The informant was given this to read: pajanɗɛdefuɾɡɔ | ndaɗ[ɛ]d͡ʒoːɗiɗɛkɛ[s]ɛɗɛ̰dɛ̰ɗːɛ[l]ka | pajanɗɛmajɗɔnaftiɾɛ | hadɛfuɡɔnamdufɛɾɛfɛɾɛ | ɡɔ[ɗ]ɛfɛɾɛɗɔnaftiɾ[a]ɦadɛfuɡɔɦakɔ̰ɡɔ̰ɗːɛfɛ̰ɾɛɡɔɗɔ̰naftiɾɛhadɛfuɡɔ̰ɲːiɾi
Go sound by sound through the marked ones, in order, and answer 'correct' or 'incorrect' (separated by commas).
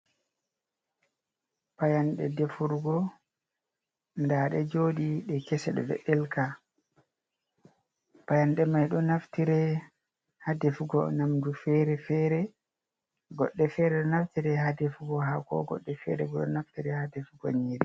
correct, correct, correct, incorrect, incorrect